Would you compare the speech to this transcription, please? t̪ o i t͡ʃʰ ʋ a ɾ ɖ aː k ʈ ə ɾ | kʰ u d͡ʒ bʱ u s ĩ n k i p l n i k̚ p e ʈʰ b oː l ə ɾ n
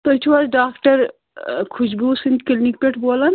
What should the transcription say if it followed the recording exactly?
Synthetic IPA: t̪ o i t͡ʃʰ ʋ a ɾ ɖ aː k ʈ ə ɾ | kʰ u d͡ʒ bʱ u s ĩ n k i l n i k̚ p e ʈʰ b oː l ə n